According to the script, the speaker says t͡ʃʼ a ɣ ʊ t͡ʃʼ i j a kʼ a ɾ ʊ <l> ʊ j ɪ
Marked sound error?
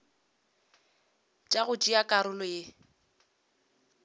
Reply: no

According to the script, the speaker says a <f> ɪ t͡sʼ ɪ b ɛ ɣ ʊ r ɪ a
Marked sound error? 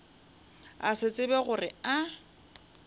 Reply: yes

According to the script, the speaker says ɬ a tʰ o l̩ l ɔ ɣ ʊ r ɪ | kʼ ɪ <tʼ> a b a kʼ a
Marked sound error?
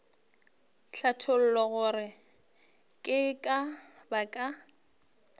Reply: yes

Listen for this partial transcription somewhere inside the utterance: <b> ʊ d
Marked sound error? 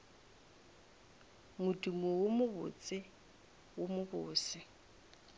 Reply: yes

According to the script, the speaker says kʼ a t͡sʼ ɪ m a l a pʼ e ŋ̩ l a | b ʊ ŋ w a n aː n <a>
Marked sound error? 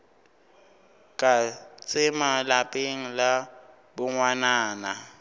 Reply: no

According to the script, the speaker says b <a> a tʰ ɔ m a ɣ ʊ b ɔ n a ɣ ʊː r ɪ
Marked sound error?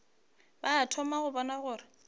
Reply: no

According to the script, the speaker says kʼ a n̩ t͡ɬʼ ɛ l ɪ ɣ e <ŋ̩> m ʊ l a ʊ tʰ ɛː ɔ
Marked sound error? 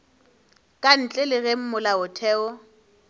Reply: yes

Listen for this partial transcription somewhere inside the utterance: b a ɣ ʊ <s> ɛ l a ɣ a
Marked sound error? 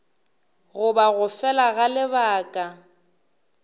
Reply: yes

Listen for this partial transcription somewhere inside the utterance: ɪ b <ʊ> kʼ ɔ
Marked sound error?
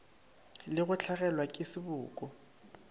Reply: yes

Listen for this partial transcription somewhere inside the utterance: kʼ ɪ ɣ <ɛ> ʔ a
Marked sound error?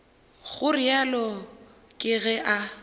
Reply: no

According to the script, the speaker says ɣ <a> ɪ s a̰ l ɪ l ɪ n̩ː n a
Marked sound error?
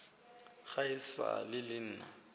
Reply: no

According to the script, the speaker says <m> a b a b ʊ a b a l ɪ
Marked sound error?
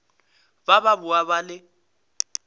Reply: yes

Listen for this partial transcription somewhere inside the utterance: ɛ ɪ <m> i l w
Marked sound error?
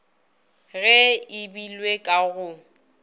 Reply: yes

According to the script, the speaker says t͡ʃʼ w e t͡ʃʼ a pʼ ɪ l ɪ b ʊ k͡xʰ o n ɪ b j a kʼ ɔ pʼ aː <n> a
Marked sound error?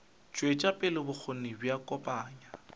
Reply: yes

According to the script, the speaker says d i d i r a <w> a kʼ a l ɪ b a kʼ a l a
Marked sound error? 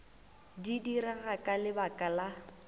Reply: yes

